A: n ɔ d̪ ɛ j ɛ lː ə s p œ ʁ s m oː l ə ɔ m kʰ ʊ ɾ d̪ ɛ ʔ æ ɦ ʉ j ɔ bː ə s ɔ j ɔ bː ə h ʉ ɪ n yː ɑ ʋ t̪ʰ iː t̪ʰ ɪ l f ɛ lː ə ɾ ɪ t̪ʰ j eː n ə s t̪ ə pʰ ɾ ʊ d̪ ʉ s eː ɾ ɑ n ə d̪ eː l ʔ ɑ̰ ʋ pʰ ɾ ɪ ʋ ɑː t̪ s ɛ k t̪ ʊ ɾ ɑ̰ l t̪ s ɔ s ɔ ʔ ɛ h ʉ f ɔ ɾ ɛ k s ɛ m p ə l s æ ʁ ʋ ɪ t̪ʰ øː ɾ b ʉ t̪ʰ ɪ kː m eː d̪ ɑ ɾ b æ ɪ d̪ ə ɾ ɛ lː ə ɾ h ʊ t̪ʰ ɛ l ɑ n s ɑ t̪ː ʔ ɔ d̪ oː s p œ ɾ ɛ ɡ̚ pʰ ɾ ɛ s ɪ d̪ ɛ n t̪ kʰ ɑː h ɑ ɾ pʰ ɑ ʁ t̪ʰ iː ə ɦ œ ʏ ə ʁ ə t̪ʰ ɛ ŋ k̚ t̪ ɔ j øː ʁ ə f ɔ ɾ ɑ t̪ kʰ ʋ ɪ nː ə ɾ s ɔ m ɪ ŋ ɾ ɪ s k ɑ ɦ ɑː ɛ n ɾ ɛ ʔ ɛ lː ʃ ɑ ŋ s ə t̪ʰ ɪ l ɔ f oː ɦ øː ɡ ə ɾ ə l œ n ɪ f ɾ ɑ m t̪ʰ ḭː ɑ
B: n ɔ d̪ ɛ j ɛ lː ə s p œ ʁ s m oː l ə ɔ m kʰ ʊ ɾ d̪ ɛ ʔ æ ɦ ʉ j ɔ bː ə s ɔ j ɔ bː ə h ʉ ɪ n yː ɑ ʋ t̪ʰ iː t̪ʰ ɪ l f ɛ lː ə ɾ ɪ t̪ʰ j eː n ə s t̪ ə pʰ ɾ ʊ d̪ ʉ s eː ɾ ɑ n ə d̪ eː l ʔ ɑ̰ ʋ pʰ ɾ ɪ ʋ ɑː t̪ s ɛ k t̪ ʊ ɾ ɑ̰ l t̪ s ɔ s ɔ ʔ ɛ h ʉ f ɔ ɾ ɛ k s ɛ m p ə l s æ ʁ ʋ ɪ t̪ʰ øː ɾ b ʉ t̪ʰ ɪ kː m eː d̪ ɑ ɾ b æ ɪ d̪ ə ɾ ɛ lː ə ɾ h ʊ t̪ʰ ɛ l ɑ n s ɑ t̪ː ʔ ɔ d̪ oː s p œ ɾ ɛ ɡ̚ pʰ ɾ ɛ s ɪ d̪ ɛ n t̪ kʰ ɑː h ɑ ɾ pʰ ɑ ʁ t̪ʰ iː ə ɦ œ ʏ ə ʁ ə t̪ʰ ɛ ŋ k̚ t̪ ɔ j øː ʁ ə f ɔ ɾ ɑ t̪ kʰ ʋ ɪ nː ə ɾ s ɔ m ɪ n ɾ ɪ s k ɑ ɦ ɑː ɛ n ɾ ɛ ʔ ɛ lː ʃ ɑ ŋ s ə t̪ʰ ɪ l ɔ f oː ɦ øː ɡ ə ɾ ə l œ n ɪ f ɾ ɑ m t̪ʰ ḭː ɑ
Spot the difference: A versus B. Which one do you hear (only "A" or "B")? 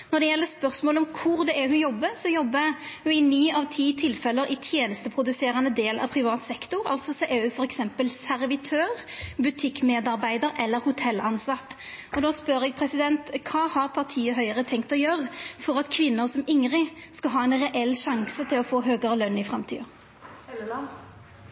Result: A